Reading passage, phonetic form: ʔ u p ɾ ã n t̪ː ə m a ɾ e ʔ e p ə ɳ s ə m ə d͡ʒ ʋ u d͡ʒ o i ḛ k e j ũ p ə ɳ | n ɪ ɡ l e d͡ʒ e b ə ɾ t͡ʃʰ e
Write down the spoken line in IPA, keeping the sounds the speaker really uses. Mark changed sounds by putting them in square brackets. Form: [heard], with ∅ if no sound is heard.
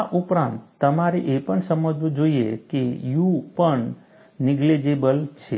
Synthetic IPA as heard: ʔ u p ɾ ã n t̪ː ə m a ɾ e ʔ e p ə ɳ s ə m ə d͡ʒ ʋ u d͡ʒ o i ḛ k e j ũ p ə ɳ | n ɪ ɡ l e d͡ʒ e b ə [l] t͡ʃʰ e